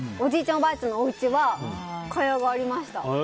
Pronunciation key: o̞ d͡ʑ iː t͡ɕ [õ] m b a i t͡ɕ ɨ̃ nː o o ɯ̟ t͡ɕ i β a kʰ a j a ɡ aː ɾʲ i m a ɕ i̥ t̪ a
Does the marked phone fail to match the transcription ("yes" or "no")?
no